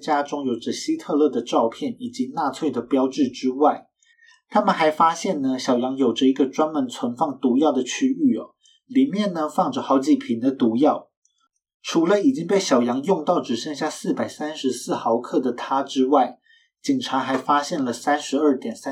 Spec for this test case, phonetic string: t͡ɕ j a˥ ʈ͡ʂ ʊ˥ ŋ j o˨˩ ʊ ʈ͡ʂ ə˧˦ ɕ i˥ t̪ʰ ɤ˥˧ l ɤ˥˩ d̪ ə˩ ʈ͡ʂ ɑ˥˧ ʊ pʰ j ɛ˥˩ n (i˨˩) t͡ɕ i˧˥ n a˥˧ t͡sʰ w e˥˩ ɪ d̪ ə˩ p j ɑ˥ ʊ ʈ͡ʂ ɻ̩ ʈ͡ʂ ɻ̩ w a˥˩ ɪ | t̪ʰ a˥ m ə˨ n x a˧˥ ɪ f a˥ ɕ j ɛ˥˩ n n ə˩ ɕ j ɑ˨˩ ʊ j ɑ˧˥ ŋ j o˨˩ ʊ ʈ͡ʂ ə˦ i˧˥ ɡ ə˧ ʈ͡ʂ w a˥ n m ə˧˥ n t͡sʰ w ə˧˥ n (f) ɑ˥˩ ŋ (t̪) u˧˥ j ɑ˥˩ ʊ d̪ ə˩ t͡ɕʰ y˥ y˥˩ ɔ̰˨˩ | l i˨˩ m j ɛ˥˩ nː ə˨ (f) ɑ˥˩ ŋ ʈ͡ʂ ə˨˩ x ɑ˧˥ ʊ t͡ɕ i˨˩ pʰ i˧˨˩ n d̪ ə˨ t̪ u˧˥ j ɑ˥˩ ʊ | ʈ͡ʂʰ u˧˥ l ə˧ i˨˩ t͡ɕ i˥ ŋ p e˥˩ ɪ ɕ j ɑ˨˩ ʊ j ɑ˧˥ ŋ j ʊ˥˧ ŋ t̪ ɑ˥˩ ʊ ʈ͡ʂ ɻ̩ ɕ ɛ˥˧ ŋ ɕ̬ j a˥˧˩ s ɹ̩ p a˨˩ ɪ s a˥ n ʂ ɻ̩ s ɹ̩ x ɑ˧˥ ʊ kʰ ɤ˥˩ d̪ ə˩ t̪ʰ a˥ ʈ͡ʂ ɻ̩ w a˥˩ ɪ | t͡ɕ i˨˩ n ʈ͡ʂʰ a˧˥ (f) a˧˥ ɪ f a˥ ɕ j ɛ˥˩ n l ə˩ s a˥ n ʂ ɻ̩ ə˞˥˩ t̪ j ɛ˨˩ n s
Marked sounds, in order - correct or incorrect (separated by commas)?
correct, correct, correct, correct, incorrect